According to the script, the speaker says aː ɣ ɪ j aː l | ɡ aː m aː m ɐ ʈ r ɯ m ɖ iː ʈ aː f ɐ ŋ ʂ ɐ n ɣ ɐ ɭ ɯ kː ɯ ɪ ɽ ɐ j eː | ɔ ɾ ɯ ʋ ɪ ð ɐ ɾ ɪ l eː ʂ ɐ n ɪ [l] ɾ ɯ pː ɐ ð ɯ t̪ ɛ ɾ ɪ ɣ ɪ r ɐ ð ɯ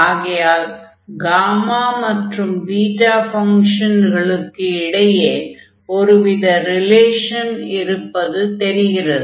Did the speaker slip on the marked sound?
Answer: yes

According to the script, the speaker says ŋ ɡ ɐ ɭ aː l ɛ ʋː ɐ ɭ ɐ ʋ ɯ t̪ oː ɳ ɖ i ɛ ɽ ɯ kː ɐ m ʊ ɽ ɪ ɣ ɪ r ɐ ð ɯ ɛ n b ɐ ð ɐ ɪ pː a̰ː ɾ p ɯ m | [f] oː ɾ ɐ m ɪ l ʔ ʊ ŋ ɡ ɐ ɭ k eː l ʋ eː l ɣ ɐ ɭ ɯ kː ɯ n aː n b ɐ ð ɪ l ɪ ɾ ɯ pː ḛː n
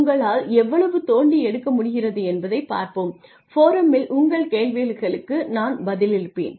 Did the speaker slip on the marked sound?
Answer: no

